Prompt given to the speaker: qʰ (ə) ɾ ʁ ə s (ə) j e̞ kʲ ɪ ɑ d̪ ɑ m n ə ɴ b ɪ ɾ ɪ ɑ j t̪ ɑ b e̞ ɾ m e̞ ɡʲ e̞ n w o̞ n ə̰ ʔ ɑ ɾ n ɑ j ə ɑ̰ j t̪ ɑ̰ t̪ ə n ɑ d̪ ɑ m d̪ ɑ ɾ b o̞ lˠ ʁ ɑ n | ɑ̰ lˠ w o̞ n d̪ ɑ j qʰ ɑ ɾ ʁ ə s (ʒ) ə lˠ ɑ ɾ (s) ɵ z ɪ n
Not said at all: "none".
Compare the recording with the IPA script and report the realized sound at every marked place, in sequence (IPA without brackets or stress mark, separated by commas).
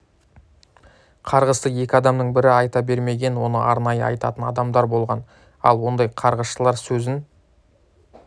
ɑ, ə, ʃ, s